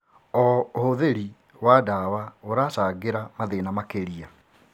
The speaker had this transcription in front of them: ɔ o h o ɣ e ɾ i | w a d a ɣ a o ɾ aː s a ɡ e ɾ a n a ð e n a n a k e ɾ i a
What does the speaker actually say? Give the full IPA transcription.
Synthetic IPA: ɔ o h o ð e ɾ i | w a d a w a o ɾ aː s a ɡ e ɾ a m a ð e n a m a k e ɾ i a